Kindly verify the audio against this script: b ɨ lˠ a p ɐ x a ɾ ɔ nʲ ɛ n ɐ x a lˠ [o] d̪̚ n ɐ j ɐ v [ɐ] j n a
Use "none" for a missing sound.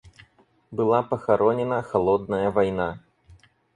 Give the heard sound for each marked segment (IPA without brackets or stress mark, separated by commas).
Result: ɔ, a